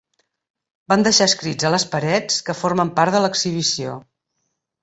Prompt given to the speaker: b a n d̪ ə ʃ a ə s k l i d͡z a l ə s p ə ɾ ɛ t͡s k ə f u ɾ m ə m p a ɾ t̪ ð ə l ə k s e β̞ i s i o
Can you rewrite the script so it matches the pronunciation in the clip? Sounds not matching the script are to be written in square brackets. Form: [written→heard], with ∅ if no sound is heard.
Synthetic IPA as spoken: b a n d̪ ə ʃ a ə s k [l→ɾ] i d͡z [a→ə] l ə s p ə ɾ ɛ t͡s k ə f [u→o] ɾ m ə m p a ɾ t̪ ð ə l ə k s [e→i] β̞ i s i o